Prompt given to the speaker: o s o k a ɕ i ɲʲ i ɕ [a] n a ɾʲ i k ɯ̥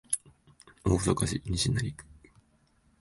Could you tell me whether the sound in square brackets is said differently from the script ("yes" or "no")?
yes